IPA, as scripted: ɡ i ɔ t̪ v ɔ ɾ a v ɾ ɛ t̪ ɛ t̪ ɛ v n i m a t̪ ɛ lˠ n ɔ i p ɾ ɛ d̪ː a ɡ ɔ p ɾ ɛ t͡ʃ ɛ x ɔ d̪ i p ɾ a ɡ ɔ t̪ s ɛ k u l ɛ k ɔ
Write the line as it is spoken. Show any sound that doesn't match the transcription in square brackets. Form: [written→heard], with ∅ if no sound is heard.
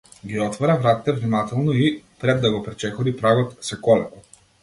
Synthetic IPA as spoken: ɡ i ɔ t̪ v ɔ ɾ a v ɾ [ɛ→a] t̪ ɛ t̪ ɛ v n i m a t̪ ɛ lˠ n ɔ i p ɾ ɛ d̪ː a ɡ ɔ p ɾ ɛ t͡ʃ ɛ x ɔ d̪ i p ɾ a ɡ ɔ t̪ s ɛ k [u→ɔ] l ɛ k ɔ

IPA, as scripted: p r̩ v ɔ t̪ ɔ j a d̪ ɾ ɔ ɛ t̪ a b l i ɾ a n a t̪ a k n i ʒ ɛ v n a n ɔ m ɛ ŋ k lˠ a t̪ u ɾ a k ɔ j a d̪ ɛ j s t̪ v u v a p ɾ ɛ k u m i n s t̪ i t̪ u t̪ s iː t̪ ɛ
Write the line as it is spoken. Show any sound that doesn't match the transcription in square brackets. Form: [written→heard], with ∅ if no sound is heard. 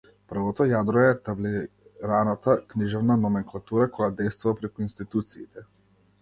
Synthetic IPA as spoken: p r̩ v ɔ t̪ ɔ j a d̪ ɾ ɔ ɛ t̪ a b l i ɾ a n a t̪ a k n i ʒ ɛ v n a n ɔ m ɛ ŋ k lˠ a t̪ u ɾ a k ɔ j a d̪ ɛ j s t̪ v u v a p ɾ ɛ k u [m→∅] i n s t̪ i t̪ u t̪ s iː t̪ ɛ

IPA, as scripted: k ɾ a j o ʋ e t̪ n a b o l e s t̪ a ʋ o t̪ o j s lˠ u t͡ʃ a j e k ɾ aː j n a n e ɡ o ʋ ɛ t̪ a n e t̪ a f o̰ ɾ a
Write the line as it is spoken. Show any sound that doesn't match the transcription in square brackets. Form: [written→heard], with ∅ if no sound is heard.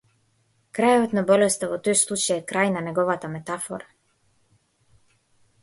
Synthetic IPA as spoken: k ɾ a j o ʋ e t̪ n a b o l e s t̪ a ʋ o t̪ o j s lˠ u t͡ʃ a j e k ɾ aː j n a n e ɡ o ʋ [ɛ→a] t̪ a [n→m] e t̪ a f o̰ ɾ a

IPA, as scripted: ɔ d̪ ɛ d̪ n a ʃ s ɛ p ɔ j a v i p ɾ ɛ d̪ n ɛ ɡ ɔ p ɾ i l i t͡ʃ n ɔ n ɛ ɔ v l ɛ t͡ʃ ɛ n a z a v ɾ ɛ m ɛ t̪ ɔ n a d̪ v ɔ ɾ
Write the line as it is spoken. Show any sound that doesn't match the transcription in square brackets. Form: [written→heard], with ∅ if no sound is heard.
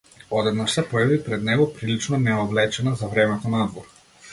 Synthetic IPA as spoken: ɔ d̪ ɛ d̪ n a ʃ s ɛ p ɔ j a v i p ɾ ɛ d̪ n ɛ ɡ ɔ p ɾ i l i t͡ʃ n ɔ n ɛ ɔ v l ɛ t͡ʃ ɛ n a z a v ɾ ɛ m ɛ t̪ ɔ n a d̪ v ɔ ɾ

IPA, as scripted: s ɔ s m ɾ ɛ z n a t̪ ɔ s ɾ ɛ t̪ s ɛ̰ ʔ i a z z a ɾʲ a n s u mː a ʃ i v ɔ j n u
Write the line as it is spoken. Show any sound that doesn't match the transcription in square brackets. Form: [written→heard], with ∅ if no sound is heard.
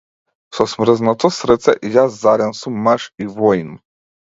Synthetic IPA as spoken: s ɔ s m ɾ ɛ z n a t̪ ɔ s ɾ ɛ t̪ s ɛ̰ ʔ [i→j] a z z a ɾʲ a n s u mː a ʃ i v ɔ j n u

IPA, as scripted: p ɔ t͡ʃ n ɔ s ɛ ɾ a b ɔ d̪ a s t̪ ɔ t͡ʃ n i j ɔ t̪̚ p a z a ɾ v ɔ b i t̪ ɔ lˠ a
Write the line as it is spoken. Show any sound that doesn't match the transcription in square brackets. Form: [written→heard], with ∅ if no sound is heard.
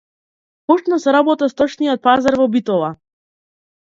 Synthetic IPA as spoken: p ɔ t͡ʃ n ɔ s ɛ ɾ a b ɔ [d̪→t̪] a s t̪ ɔ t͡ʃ n i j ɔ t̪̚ p a z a ɾ v ɔ b i t̪ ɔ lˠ a

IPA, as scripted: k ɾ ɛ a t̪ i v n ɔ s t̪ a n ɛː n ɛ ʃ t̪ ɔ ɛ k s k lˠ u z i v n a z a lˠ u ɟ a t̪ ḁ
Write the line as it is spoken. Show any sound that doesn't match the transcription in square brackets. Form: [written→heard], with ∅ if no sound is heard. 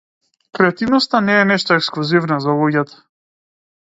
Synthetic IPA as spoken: k ɾ ɛ a t̪ i v n ɔ s t̪ a n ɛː n ɛ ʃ t̪ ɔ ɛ k s k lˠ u z i v n a z a lˠ u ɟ a t̪ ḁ

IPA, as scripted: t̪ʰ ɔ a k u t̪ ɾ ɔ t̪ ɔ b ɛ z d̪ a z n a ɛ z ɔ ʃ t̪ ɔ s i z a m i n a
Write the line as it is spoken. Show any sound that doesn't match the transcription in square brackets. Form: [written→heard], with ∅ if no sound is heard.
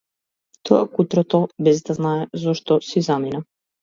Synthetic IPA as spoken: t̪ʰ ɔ a k u t̪ ɾ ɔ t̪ ɔ b ɛ z d̪ a z n a ɛ z ɔ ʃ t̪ ɔ s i z a m i n a

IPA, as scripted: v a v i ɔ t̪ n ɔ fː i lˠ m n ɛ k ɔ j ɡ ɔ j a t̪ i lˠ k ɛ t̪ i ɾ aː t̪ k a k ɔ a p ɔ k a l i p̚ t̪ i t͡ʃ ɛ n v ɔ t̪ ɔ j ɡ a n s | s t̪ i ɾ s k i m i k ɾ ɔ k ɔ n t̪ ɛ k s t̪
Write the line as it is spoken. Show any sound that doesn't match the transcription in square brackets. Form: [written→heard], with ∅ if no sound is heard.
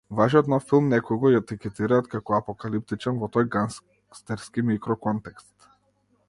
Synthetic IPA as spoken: v a [v→ʒ] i ɔ t̪ n ɔ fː i lˠ m n ɛ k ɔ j ɡ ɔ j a t̪ i [lˠ→∅] k ɛ t̪ i ɾ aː t̪ k a k ɔ a p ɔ k a l i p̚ t̪ i t͡ʃ ɛ n v ɔ t̪ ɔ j ɡ a n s | s t̪ [i→ɛ] ɾ s k i m i k ɾ ɔ k ɔ n t̪ ɛ k s t̪

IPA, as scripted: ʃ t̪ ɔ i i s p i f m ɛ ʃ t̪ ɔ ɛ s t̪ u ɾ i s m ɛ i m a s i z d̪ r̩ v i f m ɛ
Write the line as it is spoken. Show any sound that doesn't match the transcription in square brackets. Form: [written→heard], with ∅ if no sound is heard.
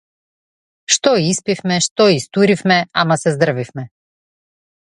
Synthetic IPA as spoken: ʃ t̪ ɔ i i s p i f m ɛ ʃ t̪ ɔ [ɛ→i] s t̪ u ɾ i [s→f] m ɛ [i→a] m a s [i→ɛ] z d̪ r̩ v i f m ɛ

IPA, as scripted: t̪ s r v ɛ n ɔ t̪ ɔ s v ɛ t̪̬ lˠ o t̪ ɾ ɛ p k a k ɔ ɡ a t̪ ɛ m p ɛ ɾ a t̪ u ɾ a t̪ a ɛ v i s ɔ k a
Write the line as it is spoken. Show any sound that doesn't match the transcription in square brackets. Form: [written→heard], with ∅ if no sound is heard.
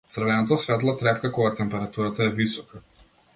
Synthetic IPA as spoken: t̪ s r v ɛ n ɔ t̪ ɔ s v ɛ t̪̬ lˠ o t̪ ɾ ɛ p k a k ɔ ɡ a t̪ ɛ m p ɛ ɾ a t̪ u ɾ a t̪ a ɛ v i s ɔ k a

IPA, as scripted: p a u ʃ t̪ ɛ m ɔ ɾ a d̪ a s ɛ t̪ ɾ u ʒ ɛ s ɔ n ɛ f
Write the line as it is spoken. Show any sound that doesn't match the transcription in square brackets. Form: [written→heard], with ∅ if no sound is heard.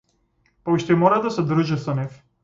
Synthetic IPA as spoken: p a u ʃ t̪ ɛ m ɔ ɾ a d̪ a s ɛ [t̪→d̪] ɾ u ʒ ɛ s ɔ n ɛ f

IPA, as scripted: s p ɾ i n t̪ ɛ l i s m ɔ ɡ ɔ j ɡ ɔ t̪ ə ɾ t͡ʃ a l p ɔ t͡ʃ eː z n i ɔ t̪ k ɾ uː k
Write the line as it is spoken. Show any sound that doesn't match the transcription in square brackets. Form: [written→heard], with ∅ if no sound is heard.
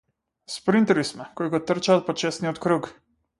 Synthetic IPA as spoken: s p ɾ i n t̪ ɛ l i s m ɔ [ɡ→k] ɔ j ɡ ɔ t̪ ə ɾ t͡ʃ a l p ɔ t͡ʃ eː [z→s] n i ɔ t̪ k ɾ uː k

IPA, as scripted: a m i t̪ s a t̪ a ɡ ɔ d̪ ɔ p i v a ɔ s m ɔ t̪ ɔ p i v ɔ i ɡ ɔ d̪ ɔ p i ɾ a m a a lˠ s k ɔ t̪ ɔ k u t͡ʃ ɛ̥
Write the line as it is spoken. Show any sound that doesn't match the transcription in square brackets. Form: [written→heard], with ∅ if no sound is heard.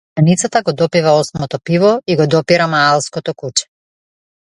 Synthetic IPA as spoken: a [m→n] i t̪ s a t̪ a ɡ ɔ d̪ ɔ p i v a ɔ s m ɔ t̪ ɔ p i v ɔ i ɡ ɔ d̪ ɔ p i ɾ a m a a lˠ s k ɔ t̪ ɔ k u t͡ʃ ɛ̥

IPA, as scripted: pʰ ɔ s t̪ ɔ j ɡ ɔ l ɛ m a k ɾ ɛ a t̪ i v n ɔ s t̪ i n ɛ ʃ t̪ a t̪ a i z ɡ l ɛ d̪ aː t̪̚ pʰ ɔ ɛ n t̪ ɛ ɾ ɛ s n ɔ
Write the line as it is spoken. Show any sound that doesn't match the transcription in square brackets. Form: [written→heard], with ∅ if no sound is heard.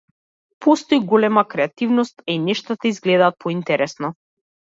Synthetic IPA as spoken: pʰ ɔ s t̪ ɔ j ɡ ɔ l ɛ m a k ɾ ɛ a t̪ i v n ɔ s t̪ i n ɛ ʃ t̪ a t̪ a i z ɡ l ɛ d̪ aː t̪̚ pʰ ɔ [ɛ→i] n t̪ ɛ ɾ ɛ s n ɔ

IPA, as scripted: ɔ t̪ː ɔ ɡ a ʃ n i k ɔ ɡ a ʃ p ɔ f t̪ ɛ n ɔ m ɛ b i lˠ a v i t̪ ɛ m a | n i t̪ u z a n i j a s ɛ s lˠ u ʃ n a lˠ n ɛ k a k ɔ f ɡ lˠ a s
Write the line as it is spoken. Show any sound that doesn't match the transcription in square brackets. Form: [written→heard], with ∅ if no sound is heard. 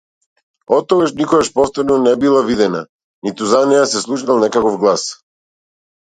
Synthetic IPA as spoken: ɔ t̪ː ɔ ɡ a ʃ n i k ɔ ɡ a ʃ p ɔ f t̪ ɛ n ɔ [m→n] ɛ b i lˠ a v i [t̪→d̪] ɛ [m→n] a | n i t̪ u z a n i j a s ɛ s lˠ u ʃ n a lˠ n ɛ k a k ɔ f ɡ lˠ a s

